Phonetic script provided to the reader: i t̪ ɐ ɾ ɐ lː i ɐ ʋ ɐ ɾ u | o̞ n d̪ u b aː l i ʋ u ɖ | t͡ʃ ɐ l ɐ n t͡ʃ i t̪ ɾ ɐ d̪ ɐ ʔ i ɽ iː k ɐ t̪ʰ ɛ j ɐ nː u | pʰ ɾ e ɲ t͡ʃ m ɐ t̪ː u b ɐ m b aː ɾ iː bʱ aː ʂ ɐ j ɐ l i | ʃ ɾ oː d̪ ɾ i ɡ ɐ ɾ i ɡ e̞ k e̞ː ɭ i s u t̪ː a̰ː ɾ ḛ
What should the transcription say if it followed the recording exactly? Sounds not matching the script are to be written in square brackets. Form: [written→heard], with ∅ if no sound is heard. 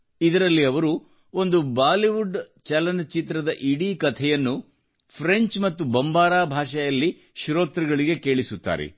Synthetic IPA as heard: i [t̪→d̪] ɐ ɾ ɐ lː i ɐ ʋ ɐ ɾ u | o̞ n d̪ u b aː l i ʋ u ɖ | t͡ʃ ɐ l ɐ n t͡ʃ i t̪ ɾ ɐ d̪ ɐ ʔ i ɽ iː k ɐ t̪ʰ ɛ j ɐ nː u | pʰ ɾ e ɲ t͡ʃ m ɐ t̪ː u b ɐ m b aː ɾ [iː→aː] bʱ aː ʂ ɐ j ɐ [l→lː] i | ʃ ɾ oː [d̪→t̪] ɾ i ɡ ɐ [ɾ→ɭ] i ɡ e̞ k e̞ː ɭ i s u t̪ː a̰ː ɾ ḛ